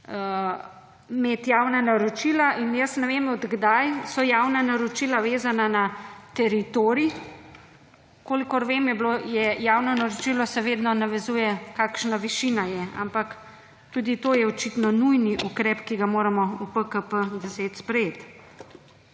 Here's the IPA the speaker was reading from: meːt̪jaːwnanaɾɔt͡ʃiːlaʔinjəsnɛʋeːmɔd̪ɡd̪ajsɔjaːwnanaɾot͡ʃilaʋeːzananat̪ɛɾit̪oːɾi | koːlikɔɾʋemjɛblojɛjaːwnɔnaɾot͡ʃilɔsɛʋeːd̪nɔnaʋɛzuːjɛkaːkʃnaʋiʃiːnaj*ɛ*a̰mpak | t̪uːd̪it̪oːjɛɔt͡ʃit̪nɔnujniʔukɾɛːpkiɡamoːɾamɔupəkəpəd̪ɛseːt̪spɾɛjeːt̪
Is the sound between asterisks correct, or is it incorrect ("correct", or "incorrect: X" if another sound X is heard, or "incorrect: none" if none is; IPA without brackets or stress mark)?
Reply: correct